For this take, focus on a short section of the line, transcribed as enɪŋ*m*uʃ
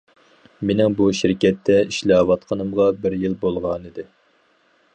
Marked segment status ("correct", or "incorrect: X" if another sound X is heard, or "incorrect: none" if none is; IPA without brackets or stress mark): incorrect: b